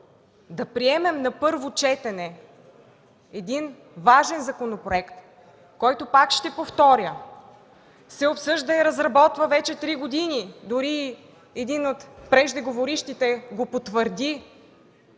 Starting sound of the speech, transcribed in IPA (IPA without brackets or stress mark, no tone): d̪